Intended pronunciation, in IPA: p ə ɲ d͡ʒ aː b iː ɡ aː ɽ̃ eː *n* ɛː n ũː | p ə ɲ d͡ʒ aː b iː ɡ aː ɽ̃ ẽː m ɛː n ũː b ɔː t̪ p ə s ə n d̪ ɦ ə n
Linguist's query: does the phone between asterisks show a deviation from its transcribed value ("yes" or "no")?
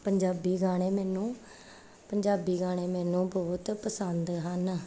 yes